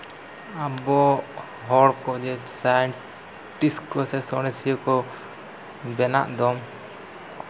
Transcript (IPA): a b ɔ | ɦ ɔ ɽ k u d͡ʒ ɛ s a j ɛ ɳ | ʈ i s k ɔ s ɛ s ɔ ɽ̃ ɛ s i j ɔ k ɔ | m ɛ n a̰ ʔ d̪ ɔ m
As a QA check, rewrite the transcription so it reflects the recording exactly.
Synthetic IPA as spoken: a b ɔ | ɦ ɔ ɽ k ɔ d͡ʒ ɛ s a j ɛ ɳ | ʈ i s k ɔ s ɛ s ɔ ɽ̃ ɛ s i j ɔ k ɔ | b ɛ n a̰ ʔ d̪ ɔ m